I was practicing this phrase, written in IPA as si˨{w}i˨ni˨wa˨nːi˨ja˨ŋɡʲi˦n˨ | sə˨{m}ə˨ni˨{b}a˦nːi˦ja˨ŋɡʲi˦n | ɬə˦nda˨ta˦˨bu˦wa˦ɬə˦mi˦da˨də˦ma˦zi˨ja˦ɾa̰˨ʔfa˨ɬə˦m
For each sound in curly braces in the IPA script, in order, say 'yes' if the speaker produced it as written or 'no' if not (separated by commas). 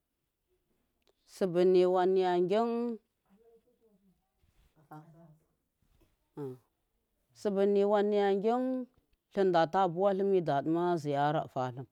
no, no, no